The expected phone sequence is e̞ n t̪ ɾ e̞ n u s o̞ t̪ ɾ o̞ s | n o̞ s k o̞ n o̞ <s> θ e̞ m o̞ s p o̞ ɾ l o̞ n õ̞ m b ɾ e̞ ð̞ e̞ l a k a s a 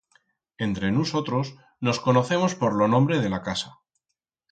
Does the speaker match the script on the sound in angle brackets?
no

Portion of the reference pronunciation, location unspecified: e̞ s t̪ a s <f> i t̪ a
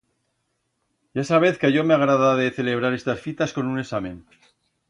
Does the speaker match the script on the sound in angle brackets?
yes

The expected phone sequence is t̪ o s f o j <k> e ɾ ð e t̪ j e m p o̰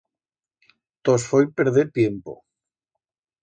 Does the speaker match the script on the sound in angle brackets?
no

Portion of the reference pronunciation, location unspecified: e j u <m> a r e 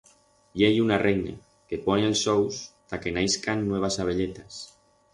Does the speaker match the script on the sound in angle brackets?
no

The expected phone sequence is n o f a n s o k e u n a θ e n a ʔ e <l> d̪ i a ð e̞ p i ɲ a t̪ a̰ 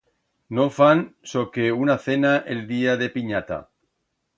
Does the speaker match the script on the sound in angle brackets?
yes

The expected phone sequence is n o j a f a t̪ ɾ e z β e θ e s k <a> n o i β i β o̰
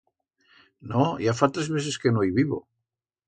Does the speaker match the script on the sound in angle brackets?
no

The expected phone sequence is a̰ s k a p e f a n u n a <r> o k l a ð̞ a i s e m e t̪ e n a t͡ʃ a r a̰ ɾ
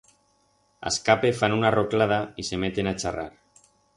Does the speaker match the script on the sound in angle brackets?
yes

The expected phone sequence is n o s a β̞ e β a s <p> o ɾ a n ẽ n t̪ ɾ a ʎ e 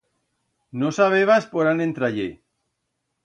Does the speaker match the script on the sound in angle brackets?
yes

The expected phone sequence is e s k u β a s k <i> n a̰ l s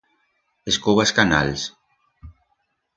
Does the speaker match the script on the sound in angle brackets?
no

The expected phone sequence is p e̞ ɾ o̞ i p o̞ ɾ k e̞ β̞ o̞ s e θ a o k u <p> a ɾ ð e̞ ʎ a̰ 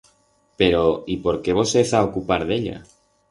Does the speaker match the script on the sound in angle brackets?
yes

